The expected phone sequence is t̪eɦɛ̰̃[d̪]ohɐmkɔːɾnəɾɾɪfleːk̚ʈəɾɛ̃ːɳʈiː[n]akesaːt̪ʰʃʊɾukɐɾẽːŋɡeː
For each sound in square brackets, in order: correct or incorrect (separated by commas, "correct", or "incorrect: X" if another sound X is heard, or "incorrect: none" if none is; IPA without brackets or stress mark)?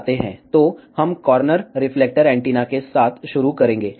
incorrect: t̪, correct